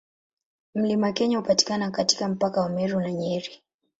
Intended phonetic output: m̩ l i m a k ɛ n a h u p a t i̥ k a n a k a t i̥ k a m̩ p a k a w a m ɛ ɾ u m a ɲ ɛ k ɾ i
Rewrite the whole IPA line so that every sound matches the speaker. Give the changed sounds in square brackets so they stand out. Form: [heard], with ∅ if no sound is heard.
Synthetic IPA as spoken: m̩ l i m a k ɛ [ɲ] a h u p a t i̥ k a n a k a t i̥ k a m̩ p a k a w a m ɛ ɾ u [n] a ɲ ɛ [∅] ɾ i

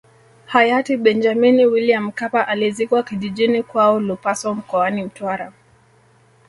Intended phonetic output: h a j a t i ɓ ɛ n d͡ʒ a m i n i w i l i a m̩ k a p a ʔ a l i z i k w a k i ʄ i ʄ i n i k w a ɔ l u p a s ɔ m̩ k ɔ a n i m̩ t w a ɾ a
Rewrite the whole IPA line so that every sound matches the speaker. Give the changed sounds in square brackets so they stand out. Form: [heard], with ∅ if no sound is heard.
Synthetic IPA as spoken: h a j a t i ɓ ɛ n d͡ʒ a m i n i w i l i a m̩ k a p a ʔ a l i z i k w a k i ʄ i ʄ i n i k w a ɔ l u p a s ɔ m̩ k ɔ a n i m̩ t w a ɾ a

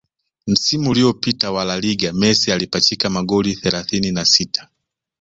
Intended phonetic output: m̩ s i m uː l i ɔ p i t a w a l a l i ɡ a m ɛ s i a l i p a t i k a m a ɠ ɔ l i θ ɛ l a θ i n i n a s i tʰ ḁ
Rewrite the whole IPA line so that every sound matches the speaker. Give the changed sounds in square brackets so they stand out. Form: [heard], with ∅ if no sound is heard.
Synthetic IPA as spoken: m̩ s i m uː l i ɔ p i t a w a l a l i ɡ a m ɛ s i a l i p a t i k a m a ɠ ɔ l i θ ɛ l a θ i n i n a s i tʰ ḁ

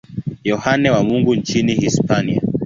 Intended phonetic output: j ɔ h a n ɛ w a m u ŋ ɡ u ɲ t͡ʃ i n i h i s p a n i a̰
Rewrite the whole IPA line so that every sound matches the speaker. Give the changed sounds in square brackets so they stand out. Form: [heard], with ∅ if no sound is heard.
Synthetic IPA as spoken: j ɔ h a n ɛ w a m u ŋ ɡ u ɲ t͡ʃ i n i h i s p a n i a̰

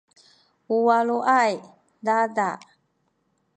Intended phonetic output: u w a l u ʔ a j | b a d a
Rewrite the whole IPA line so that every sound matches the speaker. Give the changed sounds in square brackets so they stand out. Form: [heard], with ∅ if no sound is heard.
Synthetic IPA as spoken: u w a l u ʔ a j | [d] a d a

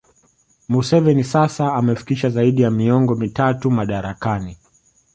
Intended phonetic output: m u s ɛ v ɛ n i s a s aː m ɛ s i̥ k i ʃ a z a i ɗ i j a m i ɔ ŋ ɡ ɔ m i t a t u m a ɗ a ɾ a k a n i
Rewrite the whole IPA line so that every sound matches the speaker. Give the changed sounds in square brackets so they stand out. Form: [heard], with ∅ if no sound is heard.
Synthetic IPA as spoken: m u s ɛ v ɛ n i s a s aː m ɛ [f] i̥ k i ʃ a z a i ɗ i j a m i ɔ ŋ ɡ ɔ m i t a t u m a ɗ a ɾ a k a n i

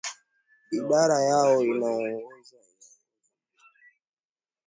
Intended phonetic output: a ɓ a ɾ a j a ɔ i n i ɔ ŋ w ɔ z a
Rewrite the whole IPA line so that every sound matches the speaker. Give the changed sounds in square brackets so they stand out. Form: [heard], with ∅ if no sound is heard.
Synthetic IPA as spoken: [i] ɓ a ɾ a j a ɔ i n [a] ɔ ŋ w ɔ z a

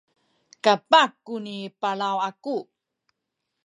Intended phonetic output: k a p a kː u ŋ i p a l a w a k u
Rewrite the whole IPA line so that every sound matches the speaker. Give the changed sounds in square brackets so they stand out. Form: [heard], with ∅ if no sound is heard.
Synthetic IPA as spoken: k a p a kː u [n] i p a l a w a k u

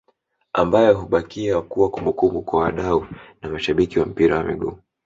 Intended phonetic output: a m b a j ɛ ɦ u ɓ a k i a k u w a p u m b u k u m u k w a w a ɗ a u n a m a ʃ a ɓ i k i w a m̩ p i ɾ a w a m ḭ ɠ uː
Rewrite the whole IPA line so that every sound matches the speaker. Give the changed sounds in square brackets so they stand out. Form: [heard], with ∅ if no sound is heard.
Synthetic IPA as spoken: a m b a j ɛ ɦ u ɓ a k i a k u w a [k] u m b u k u m u k w a w a ɗ a u n a m a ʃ a ɓ i k i w a m̩ p i ɾ a w a m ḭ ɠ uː

